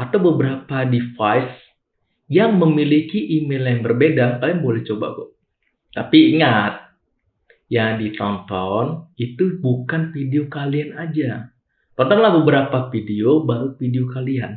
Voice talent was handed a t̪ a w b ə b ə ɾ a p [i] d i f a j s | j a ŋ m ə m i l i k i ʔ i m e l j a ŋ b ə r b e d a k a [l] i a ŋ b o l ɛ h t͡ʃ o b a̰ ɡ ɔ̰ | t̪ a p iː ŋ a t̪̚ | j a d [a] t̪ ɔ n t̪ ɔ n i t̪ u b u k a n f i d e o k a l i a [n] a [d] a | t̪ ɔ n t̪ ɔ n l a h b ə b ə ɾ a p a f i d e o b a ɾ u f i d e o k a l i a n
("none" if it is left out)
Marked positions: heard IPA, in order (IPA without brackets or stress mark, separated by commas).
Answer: a, l, i, n, d͡ʒ